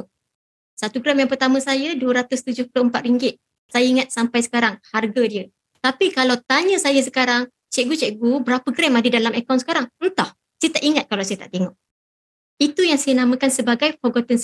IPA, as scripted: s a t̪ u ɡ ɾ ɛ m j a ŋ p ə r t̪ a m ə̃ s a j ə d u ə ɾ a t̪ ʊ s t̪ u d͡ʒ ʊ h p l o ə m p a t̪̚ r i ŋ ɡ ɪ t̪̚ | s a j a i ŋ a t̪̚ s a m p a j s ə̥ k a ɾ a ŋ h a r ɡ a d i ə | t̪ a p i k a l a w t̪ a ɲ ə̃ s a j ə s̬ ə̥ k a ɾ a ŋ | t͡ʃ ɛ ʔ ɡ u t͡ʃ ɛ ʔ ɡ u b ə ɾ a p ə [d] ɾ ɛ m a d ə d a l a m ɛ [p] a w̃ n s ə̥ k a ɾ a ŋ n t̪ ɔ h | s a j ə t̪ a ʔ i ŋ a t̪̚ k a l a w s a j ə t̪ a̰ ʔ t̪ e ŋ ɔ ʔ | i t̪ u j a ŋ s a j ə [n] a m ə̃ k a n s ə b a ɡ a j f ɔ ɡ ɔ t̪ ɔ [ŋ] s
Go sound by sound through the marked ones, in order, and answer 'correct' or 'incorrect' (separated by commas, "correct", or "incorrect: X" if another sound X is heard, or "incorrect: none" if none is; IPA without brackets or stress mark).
incorrect: ɡ, incorrect: k, correct, incorrect: n